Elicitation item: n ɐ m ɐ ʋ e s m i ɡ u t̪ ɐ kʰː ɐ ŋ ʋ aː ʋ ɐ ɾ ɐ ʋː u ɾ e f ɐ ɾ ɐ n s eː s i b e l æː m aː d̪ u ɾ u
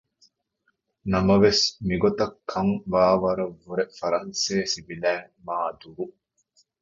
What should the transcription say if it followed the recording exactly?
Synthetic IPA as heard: n ɐ m ɐ ʋ e s m i ɡ o t̪ ɐ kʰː ɐ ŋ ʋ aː ʋ ɐ ɾ ɐ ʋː u ɾ e f ɐ ɾ ɐ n s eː s i b i l æː m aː d̪ u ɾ u